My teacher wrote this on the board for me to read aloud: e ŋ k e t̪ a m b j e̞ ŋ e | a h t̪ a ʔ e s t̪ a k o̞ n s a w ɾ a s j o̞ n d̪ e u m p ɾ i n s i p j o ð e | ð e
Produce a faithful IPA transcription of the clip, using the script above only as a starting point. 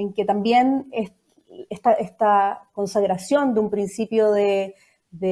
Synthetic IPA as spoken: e ŋ k e t̪ a m b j e̞ n e | e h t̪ a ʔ e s t̪ a k o̞ n s a ɣ ɾ a s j o̞ n d̪ e u m p ɾ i n s i p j o ð e | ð e